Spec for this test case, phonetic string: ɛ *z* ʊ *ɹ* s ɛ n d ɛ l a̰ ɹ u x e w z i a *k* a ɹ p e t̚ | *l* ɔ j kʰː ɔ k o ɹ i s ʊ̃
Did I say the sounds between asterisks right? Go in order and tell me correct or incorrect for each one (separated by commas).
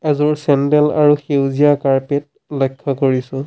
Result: correct, correct, correct, correct